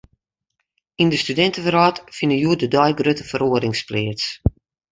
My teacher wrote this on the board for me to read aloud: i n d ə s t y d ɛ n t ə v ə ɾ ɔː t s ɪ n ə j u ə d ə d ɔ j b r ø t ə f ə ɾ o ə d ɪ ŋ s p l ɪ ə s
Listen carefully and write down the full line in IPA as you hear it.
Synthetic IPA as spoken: i n d ə s t y d ɛ n t ə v ə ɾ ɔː t f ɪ n ə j u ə d ə d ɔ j ɡ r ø t ə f ə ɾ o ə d ɪ ŋ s p l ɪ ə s